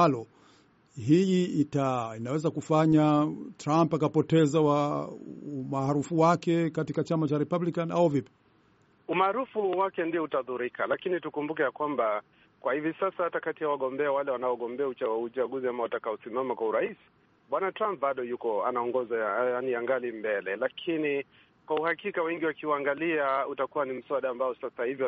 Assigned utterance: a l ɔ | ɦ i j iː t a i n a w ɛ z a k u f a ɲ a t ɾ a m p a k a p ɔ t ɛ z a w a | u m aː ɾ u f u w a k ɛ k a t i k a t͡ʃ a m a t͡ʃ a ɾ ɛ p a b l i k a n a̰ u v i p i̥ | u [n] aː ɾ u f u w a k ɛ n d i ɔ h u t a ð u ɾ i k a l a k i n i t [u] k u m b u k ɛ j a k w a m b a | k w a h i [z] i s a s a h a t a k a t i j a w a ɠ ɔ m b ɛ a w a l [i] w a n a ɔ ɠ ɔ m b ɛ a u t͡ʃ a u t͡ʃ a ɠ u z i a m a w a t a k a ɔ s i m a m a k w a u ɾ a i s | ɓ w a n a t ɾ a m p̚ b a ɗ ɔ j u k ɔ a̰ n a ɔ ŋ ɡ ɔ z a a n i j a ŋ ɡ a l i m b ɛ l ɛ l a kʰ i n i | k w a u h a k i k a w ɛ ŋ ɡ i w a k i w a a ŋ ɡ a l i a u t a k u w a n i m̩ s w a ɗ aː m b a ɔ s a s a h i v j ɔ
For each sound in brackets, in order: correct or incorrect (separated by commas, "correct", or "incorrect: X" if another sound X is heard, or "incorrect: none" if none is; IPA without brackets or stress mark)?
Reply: incorrect: m, correct, incorrect: v, incorrect: ɛ